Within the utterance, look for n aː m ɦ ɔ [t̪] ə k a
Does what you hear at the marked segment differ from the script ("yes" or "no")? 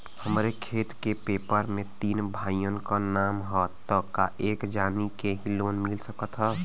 no